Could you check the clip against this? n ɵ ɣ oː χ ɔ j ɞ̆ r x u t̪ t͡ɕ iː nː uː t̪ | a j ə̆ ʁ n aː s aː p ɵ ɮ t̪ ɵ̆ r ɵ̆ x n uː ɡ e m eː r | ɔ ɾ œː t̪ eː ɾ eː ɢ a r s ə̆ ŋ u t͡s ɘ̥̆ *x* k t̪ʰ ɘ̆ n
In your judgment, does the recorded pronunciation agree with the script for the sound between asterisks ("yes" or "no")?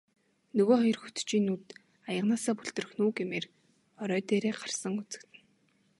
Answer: no